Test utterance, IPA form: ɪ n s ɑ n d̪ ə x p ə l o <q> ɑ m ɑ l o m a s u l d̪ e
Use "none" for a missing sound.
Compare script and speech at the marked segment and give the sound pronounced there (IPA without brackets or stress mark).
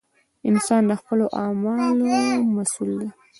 ʔ